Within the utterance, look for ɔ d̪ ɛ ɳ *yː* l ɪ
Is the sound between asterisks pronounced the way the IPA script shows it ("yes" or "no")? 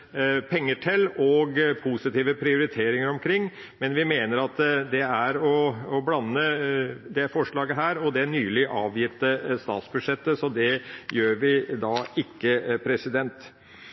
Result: yes